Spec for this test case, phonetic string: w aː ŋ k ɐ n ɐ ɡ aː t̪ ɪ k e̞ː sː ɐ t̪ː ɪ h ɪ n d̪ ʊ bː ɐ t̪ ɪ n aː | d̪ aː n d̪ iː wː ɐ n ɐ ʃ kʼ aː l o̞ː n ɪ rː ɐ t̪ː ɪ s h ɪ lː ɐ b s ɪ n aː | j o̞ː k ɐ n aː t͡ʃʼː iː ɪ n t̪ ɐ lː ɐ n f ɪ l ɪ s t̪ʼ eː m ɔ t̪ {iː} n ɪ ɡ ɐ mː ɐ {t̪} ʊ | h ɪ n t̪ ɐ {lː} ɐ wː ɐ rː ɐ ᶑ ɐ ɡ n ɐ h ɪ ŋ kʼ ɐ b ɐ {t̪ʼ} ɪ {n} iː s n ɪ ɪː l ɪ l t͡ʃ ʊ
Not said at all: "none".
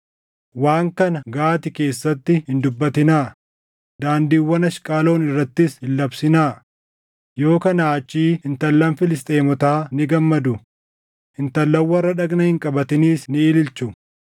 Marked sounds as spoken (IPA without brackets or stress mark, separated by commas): aː, d̪, lː, t̪, n